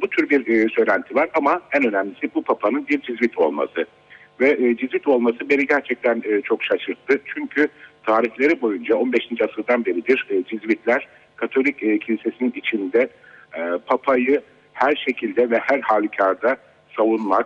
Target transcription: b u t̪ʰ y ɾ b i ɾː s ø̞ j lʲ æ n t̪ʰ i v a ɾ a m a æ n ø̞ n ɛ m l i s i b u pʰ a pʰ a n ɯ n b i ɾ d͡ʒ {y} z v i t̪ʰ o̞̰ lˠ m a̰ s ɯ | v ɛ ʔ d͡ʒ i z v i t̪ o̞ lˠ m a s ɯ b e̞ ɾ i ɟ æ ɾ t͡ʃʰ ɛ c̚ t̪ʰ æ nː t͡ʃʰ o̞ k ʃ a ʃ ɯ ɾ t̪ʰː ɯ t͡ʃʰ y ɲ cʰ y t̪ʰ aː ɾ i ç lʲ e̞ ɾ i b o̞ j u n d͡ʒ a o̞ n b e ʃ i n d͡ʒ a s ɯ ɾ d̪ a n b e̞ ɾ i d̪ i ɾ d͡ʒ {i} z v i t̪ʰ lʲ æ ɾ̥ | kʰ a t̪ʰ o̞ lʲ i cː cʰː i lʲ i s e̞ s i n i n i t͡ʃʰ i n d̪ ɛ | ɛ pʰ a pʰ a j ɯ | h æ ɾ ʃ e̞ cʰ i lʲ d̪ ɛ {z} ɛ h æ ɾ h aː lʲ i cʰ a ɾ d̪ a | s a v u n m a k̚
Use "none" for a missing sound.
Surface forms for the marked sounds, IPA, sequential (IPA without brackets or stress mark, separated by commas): i, i, v